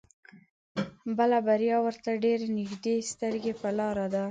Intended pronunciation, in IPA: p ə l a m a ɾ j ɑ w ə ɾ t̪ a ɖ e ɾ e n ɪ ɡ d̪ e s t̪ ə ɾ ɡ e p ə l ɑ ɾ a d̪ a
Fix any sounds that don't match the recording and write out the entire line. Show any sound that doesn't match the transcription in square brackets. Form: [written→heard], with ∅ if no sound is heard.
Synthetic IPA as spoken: [p→b] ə l a [m→b] a ɾ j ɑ w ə ɾ t̪ a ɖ e ɾ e n ɪ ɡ d̪ e s t̪ ə ɾ ɡ e p ə l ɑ ɾ a d̪ a

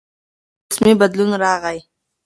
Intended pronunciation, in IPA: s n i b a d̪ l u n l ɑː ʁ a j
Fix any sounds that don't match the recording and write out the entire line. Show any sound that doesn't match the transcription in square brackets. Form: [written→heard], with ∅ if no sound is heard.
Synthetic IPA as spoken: s [n→m] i b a d̪ l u n [l→ɾ] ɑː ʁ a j

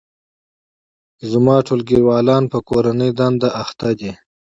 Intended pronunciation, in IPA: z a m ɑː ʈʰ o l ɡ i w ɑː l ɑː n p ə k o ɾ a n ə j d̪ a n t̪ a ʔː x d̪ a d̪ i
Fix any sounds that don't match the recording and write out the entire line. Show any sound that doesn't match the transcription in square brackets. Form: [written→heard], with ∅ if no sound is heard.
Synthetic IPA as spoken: z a m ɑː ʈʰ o l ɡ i w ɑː l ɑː n p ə k o ɾ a n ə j d̪ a n [t̪→d̪] a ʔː x [d̪→t̪] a d̪ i

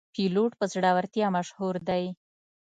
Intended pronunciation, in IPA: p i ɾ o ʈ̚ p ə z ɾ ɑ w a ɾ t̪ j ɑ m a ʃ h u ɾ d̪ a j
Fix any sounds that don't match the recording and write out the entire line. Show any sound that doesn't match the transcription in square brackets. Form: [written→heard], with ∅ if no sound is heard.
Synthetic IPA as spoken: p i [ɾ→l] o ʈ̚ p ə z [ɾ→ɽ] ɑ w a ɾ t̪ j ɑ m a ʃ h u ɾ d̪ a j

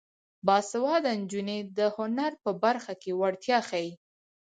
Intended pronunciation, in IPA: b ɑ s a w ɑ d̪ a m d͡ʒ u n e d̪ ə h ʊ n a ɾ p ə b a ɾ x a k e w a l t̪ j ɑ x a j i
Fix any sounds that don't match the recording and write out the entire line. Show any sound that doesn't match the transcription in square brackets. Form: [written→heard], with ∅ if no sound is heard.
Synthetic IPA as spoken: b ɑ s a w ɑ d̪ a [m→n] d͡ʒ u n e d̪ ə h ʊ n a ɾ p ə b a ɾ x a k e w a [l→ɽ] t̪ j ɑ x a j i

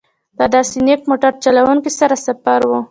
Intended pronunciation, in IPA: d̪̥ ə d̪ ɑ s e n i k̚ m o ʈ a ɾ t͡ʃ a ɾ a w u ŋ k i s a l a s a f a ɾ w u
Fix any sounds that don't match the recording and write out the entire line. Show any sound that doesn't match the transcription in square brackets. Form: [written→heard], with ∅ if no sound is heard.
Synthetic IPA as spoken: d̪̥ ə d̪ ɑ s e n [i→e] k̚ m o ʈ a ɾ t͡ʃ a [ɾ→l] a w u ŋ k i s a [l→ɾ] a s a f a ɾ w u

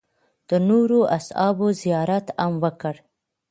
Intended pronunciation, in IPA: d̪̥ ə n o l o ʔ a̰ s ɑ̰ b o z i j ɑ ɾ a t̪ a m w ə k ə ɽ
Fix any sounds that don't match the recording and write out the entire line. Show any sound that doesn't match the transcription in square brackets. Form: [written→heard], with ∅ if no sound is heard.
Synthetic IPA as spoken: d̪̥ ə n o [l→ɾ] o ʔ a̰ s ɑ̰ b o z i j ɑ ɾ a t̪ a m w ə k ə ɽ

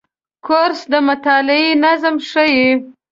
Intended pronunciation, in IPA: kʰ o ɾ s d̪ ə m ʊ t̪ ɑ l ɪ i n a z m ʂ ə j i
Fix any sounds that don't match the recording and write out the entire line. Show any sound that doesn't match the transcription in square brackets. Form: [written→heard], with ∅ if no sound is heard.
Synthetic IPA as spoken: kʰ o ɾ s d̪ ə m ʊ t̪ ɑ l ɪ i n a z m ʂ ə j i

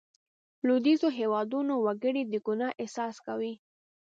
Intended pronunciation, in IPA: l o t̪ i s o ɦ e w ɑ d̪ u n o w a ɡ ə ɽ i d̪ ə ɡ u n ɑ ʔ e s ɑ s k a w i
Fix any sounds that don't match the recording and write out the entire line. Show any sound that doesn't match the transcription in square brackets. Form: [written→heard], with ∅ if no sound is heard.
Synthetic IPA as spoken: l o [t̪→d̪] i [s→z] o ɦ e w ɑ d̪ u n o w a ɡ ə ɽ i d̪ ə ɡ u n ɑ ʔ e s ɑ s k a w i

